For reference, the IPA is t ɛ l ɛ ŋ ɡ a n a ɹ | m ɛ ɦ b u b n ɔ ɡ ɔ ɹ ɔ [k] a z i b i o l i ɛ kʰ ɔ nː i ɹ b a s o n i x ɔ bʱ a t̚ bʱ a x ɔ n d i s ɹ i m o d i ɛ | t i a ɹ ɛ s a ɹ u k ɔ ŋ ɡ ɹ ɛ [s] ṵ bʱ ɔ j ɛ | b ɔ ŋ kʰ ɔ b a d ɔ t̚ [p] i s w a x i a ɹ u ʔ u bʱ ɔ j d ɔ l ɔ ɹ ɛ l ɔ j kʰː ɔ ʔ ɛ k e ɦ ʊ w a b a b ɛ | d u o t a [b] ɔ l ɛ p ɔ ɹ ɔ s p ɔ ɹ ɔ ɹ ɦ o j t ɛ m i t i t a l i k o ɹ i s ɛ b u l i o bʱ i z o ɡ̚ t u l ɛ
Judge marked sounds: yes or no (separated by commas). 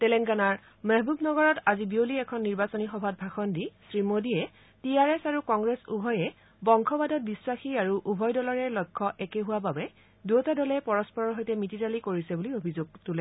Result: no, yes, no, no